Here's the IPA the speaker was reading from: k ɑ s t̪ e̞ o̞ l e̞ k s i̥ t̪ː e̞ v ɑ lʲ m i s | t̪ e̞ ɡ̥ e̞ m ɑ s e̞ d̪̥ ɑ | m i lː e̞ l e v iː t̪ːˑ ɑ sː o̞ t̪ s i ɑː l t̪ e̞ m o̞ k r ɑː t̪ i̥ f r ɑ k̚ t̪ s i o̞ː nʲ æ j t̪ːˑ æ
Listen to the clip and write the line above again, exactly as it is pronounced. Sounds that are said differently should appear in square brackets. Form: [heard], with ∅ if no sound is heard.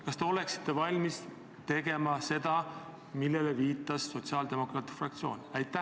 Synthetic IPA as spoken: k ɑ s t̪ e̞ o̞ l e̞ k s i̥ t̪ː e̞ v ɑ lʲ m i s | t̪ e̞ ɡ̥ e̞ m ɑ s e̞ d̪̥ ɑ | m i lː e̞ l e v iː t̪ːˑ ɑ sː o̞ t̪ s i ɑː l [d̪] e̞ m o̞ k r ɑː t̪ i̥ f r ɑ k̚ t̪ s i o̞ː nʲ æ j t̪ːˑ æ